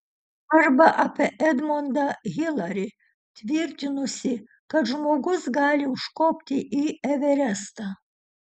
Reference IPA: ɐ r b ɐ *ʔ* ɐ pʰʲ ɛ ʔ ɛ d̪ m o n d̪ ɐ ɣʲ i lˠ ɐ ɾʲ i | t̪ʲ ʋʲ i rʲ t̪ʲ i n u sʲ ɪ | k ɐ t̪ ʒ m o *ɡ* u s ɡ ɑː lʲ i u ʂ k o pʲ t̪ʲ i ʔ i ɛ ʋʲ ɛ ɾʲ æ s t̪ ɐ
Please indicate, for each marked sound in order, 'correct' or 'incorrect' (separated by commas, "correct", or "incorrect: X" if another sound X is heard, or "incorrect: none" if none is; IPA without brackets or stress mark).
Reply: correct, correct